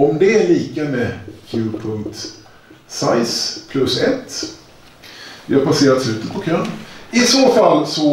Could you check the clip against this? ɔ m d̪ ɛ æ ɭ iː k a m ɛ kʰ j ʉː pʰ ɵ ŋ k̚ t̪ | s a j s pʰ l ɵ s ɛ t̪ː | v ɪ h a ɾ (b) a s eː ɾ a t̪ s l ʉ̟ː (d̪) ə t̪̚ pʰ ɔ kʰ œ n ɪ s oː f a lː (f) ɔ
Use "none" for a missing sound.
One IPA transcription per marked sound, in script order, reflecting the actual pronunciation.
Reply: p, t̪, s

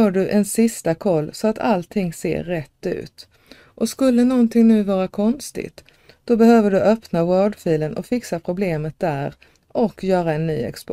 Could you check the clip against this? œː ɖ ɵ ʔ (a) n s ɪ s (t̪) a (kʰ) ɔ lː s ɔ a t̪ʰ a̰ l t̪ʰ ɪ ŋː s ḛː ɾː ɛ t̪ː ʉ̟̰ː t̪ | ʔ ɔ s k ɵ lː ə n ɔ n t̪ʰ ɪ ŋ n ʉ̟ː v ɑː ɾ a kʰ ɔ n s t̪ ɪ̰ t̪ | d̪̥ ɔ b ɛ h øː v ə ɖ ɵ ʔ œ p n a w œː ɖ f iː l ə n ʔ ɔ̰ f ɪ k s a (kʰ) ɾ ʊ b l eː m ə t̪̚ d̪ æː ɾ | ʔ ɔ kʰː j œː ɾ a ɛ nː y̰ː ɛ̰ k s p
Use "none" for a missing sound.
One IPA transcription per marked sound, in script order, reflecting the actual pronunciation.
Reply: ɛ, t̪, kʰ, pʰ

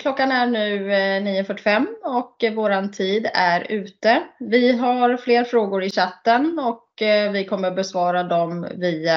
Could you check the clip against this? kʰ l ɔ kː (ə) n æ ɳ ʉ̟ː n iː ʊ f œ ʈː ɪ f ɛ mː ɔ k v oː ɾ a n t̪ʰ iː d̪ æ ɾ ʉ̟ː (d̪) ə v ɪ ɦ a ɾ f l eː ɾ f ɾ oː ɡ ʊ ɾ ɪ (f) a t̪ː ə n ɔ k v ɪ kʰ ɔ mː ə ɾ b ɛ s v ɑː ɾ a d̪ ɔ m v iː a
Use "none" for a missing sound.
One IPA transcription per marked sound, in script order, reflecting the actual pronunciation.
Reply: a, t̪, ɕ

